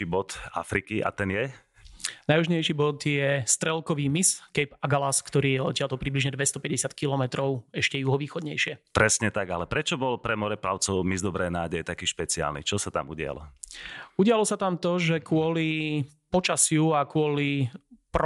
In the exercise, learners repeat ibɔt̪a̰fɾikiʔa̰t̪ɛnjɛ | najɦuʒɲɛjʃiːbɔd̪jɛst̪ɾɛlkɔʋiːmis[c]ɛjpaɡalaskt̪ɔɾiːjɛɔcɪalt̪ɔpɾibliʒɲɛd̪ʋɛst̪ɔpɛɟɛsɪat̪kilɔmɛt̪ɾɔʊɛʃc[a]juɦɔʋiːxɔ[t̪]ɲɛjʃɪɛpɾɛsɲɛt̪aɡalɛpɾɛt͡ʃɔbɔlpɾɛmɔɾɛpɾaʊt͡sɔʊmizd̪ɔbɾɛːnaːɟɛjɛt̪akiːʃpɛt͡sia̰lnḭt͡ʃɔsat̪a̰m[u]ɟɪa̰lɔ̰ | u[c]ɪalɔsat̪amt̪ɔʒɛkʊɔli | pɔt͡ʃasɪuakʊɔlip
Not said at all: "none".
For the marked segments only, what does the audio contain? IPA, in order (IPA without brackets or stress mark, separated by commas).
k, ɛ, d̪, u, ɟ